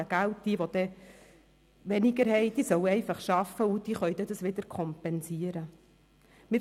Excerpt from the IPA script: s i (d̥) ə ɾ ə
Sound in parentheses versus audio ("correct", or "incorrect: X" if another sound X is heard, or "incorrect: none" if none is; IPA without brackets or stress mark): incorrect: none